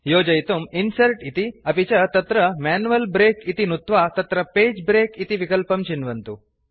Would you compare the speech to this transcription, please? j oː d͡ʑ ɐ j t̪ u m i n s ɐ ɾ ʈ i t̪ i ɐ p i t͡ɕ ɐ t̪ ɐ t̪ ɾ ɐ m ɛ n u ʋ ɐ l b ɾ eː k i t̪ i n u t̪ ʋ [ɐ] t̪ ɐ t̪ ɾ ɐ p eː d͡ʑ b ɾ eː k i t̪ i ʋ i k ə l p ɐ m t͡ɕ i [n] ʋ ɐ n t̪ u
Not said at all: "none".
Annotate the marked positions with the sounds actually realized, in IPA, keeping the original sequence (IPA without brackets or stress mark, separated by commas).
a, n